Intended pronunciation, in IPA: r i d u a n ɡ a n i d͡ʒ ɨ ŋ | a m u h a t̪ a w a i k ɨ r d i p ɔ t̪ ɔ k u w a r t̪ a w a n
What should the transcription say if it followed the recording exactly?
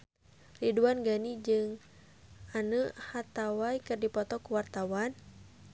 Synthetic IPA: r i d u a n ɡ a n i d͡ʒ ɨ ŋ | a n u h a t̪ a w a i k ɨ r d i p ɔ t̪ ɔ k u w a r t̪ a w a n

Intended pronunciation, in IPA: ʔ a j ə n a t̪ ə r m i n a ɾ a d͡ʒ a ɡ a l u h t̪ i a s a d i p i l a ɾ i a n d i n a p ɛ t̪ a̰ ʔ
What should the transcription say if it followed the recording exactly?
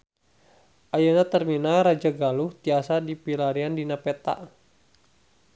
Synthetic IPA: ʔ a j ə n a t̪ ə r m i n a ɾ a d͡ʒ a ɡ a l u h t̪ i a s a d i p i l a ɾ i a n d i n a p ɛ t̪ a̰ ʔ

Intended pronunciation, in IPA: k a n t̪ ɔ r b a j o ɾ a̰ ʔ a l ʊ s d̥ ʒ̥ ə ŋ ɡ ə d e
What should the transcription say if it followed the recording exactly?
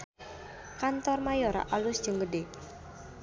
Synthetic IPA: k a n t̪ ɔ r m a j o ɾ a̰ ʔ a l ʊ s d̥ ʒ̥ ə ŋ ɡ ə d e

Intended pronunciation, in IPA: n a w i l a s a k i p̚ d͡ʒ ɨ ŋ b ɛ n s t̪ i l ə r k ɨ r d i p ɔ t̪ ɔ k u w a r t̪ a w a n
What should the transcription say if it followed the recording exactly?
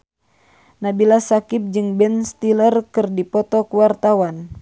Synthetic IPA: n a b i l a s a k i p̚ d͡ʒ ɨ ŋ b ɛ n s t̪ i l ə r k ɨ r d i p ɔ t̪ ɔ k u w a r t̪ a w a n

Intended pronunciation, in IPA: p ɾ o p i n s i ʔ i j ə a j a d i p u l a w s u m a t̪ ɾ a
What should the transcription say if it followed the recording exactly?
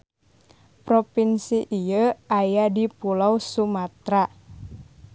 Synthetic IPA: p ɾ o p i n s i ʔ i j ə a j a d i p u l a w s u m a t̪ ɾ a

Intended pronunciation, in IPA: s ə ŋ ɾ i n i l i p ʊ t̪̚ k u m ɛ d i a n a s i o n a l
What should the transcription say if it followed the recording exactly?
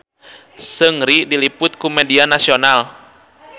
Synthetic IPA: s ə ŋ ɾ i d i l i p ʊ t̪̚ k u m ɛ d i a n a s i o n a l

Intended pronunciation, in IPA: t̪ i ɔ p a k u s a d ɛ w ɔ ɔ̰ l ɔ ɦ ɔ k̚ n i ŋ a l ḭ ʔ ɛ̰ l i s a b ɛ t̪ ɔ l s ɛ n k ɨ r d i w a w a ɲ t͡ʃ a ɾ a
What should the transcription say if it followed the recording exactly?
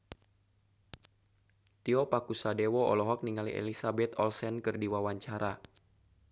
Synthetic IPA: t̪ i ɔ p a k u s a d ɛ w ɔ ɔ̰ l ɔ ɦ ɔ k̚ n i ŋ a l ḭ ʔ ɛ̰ l i s a b ɛ t̪ ɔ l s ɛ n k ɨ r d i w a w a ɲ t͡ʃ a ɾ a

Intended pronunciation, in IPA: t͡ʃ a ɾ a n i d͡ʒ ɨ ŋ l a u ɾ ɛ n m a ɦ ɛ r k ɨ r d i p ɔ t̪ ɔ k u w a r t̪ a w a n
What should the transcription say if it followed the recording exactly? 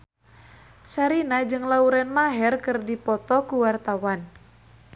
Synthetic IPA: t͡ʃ a ɾ i n a d͡ʒ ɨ ŋ l a u ɾ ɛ n m a ɦ ɛ r k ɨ r d i p ɔ t̪ ɔ k u w a r t̪ a w a n

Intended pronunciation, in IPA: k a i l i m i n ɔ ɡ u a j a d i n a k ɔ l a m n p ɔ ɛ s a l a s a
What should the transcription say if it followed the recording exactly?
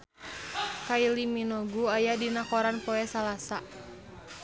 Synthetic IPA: k a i l i m i n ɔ ɡ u a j a d i n a k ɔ ɾ a n p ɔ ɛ s a l a s a

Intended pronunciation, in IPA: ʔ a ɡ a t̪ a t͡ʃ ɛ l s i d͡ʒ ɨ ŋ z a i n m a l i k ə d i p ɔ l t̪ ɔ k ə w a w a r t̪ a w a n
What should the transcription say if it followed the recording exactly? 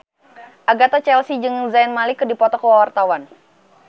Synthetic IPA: ʔ a ɡ a t̪ a t͡ʃ ɛ l s i d͡ʒ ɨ ŋ z a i n m a l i k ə d i p ɔ t̪ ɔ k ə w a w a r t̪ a w a n

